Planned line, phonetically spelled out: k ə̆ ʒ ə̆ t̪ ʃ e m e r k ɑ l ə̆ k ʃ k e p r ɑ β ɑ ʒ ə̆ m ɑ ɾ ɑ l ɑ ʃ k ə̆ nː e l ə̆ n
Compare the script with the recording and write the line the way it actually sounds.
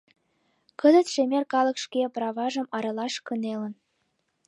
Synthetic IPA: k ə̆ z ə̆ t̪ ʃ e m e r k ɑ l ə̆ k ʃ k e p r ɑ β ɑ ʒ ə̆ m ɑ ɾ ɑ l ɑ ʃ k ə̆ n e l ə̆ n